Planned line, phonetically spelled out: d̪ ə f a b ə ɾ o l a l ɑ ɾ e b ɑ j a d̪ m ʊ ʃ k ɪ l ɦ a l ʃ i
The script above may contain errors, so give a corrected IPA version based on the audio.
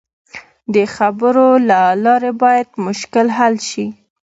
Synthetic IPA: d̪ ə x a b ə ɾ o l a l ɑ ɾ e b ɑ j a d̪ m ʊ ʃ k ɪ l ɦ a l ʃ i